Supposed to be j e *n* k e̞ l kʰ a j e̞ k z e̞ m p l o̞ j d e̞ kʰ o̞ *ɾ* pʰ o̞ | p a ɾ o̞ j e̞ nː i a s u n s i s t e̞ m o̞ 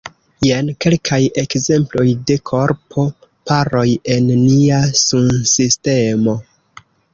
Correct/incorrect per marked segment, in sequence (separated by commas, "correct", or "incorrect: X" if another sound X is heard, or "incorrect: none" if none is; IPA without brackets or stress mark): correct, correct